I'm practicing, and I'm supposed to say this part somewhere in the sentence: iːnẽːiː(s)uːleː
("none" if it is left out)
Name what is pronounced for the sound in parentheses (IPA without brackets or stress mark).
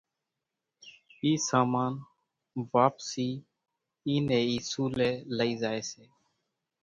s